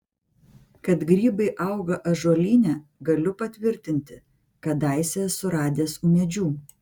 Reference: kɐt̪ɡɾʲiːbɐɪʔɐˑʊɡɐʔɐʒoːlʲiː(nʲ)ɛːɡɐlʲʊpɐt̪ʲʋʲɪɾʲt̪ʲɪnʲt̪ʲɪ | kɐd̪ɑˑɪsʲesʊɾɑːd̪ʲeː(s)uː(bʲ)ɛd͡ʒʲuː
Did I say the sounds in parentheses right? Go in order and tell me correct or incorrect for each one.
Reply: correct, correct, incorrect: mʲ

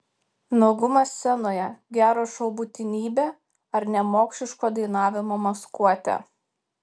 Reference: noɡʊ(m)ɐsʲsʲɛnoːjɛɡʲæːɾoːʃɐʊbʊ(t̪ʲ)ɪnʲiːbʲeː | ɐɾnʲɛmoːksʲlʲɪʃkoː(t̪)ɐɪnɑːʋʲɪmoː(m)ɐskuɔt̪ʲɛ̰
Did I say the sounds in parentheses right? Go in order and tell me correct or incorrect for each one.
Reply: correct, correct, incorrect: d̪, correct

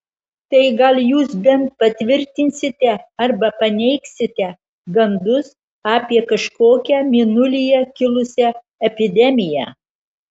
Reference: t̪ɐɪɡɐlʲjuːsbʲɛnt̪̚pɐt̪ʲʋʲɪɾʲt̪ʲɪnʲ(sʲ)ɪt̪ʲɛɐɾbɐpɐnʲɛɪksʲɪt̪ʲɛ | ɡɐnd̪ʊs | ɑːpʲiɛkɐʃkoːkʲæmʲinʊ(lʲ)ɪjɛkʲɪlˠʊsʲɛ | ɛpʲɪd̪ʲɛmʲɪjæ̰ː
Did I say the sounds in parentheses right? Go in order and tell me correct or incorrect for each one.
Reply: correct, correct

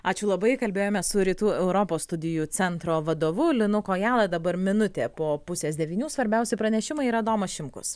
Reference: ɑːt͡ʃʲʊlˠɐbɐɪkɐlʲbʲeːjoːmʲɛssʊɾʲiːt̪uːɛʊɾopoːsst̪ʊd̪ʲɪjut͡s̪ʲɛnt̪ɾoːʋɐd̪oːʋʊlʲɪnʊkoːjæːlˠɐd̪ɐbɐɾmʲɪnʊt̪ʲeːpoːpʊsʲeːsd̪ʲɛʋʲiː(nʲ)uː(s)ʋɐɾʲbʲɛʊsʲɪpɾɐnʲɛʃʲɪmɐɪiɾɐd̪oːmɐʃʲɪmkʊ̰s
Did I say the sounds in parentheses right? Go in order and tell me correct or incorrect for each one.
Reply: correct, correct

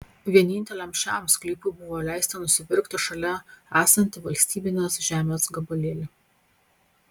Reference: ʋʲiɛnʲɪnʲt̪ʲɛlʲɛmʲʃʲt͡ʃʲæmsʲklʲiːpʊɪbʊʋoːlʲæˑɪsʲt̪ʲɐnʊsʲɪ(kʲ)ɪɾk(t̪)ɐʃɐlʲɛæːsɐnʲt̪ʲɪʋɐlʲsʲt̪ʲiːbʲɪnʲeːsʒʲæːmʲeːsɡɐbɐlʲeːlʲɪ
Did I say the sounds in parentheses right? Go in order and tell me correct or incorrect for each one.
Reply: incorrect: pʲ, correct

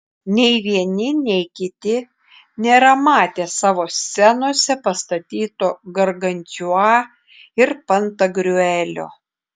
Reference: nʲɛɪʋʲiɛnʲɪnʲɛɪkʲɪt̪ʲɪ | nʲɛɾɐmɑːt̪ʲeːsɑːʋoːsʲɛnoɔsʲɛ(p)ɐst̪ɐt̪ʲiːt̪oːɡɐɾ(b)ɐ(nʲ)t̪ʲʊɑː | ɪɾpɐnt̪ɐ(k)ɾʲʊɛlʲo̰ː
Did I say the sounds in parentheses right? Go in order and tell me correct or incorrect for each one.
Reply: correct, incorrect: ɡ, correct, incorrect: ɡ

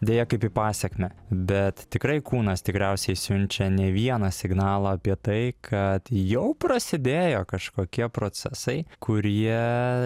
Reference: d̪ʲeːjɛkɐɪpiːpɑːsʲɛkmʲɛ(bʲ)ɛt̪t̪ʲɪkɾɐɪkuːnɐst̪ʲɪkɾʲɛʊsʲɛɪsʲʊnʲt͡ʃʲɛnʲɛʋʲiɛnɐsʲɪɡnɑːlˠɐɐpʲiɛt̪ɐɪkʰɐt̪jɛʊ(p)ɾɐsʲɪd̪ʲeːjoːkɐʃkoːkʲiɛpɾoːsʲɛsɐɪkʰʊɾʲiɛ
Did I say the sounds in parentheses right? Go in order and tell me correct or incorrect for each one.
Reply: correct, correct

